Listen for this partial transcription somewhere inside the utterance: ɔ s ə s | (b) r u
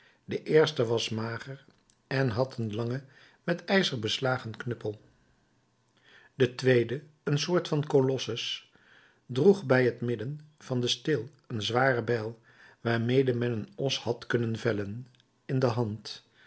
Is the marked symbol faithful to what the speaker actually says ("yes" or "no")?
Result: no